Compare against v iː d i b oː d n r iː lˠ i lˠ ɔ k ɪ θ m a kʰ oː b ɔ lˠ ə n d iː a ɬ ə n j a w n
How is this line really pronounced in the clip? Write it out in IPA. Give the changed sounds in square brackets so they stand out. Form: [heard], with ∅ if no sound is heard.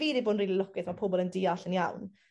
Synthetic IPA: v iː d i b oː d n r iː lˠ i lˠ ɔ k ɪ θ m a [pʰ] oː b ɔ lˠ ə n d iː a ɬ ə n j a w n